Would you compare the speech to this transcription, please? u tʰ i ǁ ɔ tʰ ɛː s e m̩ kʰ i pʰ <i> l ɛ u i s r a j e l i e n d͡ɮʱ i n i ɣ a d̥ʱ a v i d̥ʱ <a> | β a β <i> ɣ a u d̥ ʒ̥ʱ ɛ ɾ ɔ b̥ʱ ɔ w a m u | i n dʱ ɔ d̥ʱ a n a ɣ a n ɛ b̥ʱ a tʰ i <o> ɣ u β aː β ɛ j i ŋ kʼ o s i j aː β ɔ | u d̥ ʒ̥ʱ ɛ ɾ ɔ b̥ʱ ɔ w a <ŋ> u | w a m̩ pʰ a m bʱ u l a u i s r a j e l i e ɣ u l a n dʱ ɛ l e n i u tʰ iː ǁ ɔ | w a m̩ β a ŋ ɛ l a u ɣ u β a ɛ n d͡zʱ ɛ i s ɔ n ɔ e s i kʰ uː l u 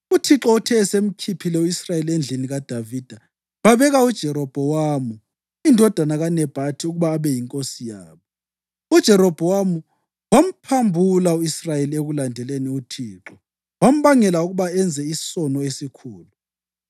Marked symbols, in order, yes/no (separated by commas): yes, yes, no, no, no